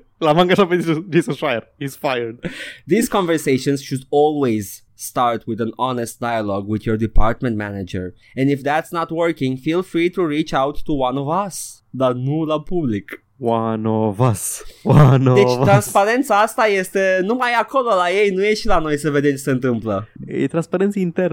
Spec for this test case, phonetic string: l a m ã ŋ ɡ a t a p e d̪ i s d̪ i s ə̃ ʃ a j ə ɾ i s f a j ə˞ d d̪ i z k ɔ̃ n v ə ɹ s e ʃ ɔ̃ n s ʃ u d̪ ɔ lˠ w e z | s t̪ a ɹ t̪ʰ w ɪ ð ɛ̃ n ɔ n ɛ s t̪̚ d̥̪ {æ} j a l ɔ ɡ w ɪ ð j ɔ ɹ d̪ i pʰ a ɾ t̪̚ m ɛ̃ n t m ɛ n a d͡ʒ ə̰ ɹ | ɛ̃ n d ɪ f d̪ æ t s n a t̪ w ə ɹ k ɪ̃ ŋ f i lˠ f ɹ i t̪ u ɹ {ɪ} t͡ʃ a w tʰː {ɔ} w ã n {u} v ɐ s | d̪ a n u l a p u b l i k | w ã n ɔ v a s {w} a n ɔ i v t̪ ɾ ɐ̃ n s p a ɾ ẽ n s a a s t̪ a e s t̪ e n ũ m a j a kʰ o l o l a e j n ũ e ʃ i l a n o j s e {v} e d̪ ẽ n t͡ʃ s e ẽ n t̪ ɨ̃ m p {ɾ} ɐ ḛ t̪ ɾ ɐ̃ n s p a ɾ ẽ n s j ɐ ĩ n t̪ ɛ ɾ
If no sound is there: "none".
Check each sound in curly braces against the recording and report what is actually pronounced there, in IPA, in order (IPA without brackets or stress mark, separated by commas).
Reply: a, i, u, ɔ, w, v, l